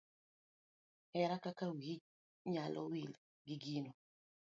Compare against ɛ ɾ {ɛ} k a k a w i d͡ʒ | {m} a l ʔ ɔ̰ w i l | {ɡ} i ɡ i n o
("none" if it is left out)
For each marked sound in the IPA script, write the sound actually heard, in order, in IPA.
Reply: a, ɲ, ɡ

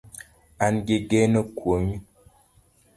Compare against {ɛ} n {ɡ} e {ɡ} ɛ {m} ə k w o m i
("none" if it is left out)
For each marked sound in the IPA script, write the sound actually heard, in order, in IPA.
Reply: a, ɡ, ɡ, n

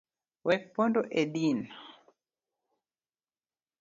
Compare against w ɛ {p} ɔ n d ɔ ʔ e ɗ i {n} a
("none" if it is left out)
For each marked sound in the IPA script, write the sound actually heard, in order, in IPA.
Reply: p, n

